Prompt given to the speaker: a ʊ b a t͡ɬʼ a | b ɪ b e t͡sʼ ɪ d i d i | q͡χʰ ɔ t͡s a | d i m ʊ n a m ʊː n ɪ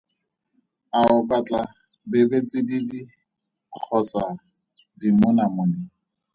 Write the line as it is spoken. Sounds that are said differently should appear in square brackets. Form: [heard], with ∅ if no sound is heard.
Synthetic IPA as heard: a ʊ b a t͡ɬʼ a | b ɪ b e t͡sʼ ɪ d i d i | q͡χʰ ɔ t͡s a | d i m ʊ n a m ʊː n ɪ